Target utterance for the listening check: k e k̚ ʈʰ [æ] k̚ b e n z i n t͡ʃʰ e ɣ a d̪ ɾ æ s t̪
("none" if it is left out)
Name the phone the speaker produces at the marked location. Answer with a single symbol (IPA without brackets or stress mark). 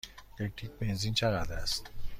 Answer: i